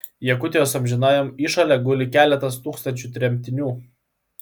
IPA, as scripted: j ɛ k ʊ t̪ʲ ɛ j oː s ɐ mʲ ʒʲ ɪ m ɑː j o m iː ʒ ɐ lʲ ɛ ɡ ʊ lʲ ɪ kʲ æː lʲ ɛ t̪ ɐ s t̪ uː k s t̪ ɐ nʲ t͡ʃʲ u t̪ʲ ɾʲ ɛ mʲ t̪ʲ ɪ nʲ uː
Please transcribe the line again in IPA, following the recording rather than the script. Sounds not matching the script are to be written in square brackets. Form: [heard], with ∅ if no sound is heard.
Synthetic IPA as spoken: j ɛ k ʊ t̪ʲ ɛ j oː s ɐ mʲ ʒʲ ɪ [n] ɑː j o m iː [ʃ] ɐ lʲ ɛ ɡ ʊ lʲ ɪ kʲ æː lʲ ɛ t̪ ɐ s t̪ uː k s t̪ ɐ nʲ t͡ʃʲ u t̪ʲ ɾʲ ɛ mʲ t̪ʲ ɪ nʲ uː

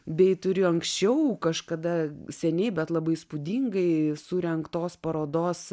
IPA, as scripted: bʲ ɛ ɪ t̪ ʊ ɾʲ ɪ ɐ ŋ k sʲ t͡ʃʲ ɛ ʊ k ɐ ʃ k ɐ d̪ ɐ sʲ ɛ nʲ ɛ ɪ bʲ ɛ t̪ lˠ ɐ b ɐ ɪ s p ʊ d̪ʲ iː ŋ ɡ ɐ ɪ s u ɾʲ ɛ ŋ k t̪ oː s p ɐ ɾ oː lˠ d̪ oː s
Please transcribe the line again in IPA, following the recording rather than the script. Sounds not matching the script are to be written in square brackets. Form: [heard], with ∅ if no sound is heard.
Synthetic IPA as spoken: bʲ ɛ ɪ t̪ ʊ ɾʲ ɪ ɐ ŋ k sʲ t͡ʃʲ ɛ ʊ k ɐ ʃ k ɐ d̪ ɐ sʲ ɛ nʲ ɛ ɪ bʲ ɛ t̪ lˠ ɐ b ɐ ɪ s p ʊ d̪ʲ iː ŋ ɡ ɐ ɪ s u ɾʲ ɛ ŋ k t̪ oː s p ɐ ɾ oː [∅] d̪ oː s

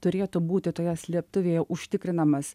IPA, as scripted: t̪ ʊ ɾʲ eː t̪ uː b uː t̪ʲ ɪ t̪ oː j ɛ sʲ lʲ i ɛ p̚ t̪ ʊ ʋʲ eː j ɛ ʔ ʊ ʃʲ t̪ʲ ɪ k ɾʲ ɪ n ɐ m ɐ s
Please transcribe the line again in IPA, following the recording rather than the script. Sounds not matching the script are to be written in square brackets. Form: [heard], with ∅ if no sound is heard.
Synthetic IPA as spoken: t̪ ʊ ɾʲ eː t̪ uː b uː t̪ʲ ɪ t̪ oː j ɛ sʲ lʲ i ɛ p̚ t̪ ʊ ʋʲ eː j ɛ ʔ ʊ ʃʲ t̪ʲ ɪ k ɾʲ ɪ n ɐ m ɐ s

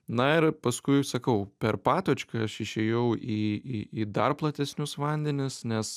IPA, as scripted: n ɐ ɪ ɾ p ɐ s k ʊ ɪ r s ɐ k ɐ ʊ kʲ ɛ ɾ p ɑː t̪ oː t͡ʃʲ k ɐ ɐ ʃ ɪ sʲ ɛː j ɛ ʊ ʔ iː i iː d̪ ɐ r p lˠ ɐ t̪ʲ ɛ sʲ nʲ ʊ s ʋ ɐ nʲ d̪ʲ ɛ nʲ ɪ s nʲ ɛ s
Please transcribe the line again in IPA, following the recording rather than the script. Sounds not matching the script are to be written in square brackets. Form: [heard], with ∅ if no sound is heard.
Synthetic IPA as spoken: n ɐ ɪ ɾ p ɐ s k ʊ ɪ [∅] s ɐ k ɐ ʊ [pʲ] ɛ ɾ p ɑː t̪ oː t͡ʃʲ k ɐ ɐ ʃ ɪ [ʃʲ] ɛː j ɛ ʊ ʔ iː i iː d̪ ɐ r p lˠ ɐ t̪ʲ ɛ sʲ nʲ ʊ s ʋ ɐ nʲ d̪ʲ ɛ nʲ ɪ s nʲ ɛ s

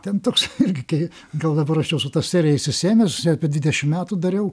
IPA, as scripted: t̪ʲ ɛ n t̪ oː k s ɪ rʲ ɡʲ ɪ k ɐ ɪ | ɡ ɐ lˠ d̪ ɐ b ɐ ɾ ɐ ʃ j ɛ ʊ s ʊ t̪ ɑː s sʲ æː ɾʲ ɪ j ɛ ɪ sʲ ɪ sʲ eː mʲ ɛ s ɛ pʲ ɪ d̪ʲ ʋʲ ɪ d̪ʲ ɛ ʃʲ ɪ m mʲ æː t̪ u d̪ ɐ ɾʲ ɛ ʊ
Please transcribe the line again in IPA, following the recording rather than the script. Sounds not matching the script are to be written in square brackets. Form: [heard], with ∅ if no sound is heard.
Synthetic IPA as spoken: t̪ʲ ɛ n t̪ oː k s ɪ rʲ ɡʲ ɪ k ɐ ɪ | ɡ ɐ lˠ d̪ ɐ b ɐ ɾ ɐ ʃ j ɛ ʊ s ʊ t̪ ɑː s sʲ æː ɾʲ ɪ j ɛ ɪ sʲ ɪ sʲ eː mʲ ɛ s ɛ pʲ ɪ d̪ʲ ʋʲ ɪ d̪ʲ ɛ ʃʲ ɪ m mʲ æː t̪ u d̪ ɐ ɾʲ ɛ ʊ

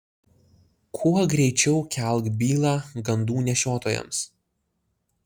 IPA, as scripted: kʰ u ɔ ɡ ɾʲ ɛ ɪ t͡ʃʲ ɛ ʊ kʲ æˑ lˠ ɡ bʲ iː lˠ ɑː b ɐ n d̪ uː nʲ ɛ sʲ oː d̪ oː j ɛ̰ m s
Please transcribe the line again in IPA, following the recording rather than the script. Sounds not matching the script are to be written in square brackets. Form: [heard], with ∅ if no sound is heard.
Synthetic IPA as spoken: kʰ u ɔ ɡ ɾʲ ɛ ɪ t͡ʃʲ ɛ ʊ kʲ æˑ lˠ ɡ bʲ iː lˠ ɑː [ɡ] ɐ n d̪ uː nʲ ɛ [ʃʲ] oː [t̪] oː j ɛ̰ m s

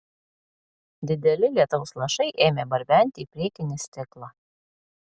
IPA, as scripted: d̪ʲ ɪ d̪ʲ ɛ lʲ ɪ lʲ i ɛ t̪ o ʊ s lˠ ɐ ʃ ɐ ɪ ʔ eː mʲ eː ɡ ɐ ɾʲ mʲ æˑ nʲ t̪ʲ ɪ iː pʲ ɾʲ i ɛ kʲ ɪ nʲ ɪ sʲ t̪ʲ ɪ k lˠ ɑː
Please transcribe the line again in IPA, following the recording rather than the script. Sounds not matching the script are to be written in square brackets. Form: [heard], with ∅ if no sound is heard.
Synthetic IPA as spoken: d̪ʲ ɪ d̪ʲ ɛ lʲ ɪ lʲ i ɛ t̪ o ʊ s lˠ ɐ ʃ ɐ ɪ ʔ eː mʲ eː [b] ɐ ɾʲ [bʲ] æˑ nʲ t̪ʲ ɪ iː pʲ ɾʲ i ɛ kʲ ɪ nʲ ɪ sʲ t̪ʲ ɪ k lˠ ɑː

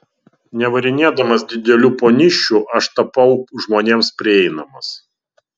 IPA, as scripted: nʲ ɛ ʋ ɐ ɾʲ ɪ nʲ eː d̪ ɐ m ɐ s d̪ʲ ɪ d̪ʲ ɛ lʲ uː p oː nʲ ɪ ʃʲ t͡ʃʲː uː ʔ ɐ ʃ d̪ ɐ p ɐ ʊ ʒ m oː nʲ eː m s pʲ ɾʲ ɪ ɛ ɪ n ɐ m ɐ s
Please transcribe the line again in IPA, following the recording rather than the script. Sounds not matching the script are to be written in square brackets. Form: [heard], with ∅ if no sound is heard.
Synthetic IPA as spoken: nʲ ɛ ʋ ɐ ɾʲ ɪ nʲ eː d̪ ɐ m ɐ s d̪ʲ ɪ d̪ʲ ɛ lʲ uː p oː nʲ ɪ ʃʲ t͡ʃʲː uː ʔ ɐ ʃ [t̪] ɐ p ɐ ʊ ʒ m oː nʲ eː m s pʲ ɾʲ ɪ ɛ ɪ n ɐ m ɐ s

